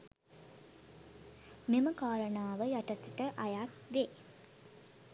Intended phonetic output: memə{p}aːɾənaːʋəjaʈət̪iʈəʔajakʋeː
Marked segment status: incorrect: k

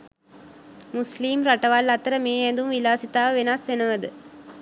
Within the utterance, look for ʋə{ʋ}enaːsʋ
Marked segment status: correct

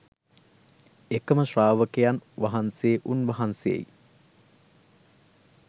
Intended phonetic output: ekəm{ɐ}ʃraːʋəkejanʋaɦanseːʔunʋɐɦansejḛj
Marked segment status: incorrect: ə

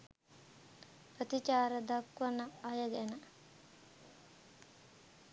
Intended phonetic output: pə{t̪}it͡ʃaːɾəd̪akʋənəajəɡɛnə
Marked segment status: correct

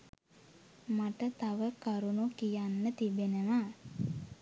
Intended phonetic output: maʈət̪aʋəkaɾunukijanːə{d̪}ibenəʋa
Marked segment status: incorrect: t̪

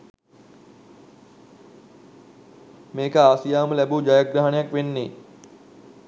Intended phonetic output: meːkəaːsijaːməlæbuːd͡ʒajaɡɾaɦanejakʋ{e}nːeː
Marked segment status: correct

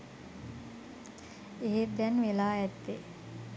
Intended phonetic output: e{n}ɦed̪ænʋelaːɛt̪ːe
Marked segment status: incorrect: none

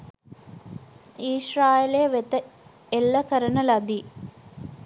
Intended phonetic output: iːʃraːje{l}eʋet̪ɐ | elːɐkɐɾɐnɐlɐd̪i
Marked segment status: correct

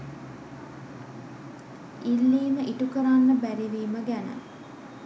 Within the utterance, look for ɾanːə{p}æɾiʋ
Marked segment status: incorrect: b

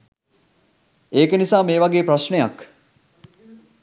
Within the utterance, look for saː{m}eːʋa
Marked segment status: correct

